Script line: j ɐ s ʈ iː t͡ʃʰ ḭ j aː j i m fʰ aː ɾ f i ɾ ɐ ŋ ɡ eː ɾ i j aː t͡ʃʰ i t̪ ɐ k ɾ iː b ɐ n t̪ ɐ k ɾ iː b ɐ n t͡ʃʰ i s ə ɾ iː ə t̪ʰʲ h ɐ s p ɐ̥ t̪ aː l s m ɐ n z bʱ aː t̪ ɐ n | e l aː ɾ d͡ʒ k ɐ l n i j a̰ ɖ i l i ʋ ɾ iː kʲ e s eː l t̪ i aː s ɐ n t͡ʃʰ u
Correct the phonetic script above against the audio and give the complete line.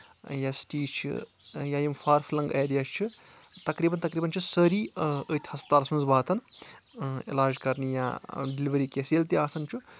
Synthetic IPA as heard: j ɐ s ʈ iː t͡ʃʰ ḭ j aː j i m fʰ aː ɾ f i l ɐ ŋ ɡ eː ɾ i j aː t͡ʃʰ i t̪ ɐ k ɾ iː b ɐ n t̪ ɐ k ɾ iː b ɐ n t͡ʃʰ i s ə ɾ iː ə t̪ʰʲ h ɐ s p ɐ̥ t̪ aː l s m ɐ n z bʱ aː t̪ ɐ n | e l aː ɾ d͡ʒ k ɐ ɾ n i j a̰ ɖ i l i ʋ ɾ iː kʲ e s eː l t̪ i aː s ɐ n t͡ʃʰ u